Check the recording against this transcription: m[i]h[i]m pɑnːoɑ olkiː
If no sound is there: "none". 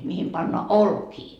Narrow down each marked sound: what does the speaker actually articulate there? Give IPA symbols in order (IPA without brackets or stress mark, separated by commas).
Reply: i, i